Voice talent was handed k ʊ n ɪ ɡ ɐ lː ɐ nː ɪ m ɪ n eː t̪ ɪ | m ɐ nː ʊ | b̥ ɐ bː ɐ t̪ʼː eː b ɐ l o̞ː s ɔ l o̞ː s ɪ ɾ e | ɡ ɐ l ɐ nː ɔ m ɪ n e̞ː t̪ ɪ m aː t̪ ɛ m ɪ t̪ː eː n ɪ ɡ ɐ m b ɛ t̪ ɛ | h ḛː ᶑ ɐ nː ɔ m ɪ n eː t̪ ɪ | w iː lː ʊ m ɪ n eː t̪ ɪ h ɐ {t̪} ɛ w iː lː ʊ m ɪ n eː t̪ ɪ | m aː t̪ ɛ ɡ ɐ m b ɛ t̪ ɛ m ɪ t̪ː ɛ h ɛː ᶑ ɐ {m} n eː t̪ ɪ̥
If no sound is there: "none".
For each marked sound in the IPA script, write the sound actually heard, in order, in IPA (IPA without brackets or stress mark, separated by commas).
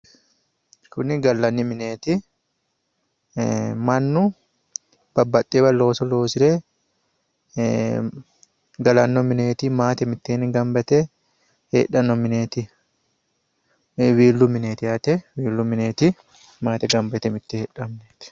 t̪, m